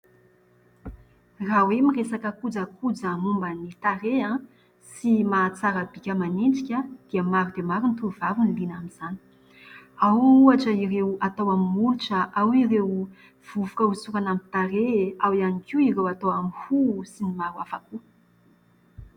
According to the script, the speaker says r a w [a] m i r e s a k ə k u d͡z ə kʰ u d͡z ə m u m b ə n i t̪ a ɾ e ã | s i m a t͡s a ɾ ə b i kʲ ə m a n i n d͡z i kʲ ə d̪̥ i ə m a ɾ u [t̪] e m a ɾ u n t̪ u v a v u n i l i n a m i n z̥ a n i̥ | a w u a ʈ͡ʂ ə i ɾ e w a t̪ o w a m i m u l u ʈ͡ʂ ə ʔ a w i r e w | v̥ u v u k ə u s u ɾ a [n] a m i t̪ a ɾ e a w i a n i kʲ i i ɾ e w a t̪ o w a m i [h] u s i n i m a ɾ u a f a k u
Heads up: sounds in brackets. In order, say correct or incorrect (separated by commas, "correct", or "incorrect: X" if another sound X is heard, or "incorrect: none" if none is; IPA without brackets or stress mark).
incorrect: e, incorrect: d̪, correct, correct